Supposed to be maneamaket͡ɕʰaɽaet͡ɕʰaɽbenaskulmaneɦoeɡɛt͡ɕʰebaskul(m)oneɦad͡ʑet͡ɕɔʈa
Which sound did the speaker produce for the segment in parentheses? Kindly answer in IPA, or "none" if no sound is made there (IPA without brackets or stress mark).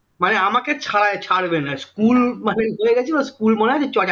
m